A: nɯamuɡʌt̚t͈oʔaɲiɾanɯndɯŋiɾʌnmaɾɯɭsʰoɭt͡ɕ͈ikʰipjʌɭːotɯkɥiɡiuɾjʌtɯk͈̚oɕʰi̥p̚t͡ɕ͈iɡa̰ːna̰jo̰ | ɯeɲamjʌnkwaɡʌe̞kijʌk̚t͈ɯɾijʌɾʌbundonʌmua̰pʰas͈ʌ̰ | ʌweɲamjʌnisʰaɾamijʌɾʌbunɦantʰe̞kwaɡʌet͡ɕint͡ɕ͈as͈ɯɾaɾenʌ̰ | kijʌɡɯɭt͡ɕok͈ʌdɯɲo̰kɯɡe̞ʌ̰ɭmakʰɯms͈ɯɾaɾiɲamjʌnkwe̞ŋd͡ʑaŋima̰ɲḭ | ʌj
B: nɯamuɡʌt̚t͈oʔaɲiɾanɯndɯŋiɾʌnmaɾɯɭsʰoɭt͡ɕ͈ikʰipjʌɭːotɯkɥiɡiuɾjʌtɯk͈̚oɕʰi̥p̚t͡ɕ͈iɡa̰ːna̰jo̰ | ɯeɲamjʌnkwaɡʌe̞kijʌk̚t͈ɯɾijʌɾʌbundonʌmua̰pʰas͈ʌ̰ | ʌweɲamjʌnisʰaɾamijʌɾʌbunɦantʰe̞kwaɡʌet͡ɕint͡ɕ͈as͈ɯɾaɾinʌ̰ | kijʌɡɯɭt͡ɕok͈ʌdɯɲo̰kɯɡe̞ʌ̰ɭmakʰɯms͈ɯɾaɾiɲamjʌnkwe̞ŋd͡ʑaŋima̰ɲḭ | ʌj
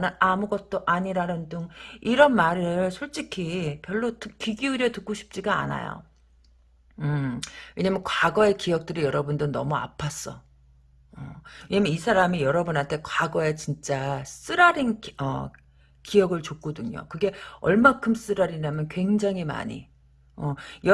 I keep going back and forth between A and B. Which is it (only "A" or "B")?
B